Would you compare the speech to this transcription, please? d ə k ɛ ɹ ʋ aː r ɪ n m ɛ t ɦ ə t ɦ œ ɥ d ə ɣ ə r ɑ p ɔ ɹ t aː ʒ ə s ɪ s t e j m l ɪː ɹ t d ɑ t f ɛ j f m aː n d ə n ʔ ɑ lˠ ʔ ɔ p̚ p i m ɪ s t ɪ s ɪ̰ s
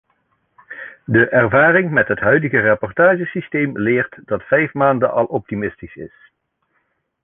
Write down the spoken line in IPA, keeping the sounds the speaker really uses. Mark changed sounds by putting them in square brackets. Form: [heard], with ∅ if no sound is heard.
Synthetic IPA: d ə [ʔ] ɛ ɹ [v] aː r ɪ [ŋ] m ɛ t ɦ ə t ɦ œ ɥ d ə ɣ ə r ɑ p ɔ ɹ t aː ʒ ə s [i] s t e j m l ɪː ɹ t d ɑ t f ɛ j f m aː n d ə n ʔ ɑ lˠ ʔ ɔ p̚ [t] i m ɪ s t [i] s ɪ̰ s